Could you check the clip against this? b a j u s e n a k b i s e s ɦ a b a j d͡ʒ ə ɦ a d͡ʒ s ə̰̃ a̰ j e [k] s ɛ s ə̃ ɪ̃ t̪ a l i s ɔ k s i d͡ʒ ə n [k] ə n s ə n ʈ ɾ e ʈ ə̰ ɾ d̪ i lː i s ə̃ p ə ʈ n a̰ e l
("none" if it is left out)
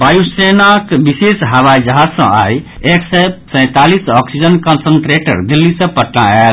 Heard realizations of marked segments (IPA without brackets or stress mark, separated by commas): k, k